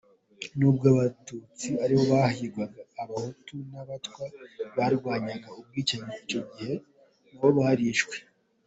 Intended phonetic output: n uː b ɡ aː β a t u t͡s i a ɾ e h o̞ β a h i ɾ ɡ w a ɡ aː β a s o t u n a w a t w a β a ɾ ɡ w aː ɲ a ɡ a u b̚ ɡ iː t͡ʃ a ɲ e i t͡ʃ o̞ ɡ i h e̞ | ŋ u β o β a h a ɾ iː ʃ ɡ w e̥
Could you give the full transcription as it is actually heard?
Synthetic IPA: n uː b ɡ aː β a t u t͡s i a ɾ i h o̞ β a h i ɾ ɡ w a ɡ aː β a h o t u n a β a t w a β a ɾ ɡ w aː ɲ a ɡ a u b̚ ɡ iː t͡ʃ a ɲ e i t͡ʃ o̞ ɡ i h e̞ | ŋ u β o β a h a ɾ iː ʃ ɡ w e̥